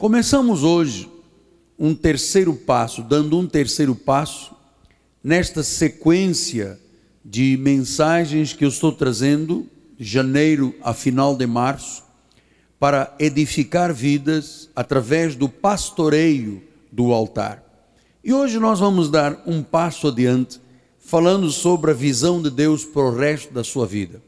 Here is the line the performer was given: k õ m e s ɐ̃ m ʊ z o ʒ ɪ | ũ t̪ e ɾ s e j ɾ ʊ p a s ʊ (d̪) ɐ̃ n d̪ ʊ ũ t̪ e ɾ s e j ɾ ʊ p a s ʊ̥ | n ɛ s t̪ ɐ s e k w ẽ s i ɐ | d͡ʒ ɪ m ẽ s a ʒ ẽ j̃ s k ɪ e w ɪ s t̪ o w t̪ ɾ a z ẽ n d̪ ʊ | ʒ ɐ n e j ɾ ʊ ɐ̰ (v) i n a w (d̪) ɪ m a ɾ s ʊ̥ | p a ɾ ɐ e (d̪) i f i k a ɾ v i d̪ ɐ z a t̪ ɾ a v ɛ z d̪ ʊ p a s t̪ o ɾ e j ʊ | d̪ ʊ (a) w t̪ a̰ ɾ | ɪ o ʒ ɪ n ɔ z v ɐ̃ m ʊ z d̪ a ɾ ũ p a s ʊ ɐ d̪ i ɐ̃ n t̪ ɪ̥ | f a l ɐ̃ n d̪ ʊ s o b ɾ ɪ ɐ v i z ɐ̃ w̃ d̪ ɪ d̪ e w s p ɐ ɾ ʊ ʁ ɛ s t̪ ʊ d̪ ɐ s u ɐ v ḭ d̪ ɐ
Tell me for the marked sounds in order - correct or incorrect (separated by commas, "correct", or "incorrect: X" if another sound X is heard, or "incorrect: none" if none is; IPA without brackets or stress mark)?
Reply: correct, incorrect: f, correct, correct, correct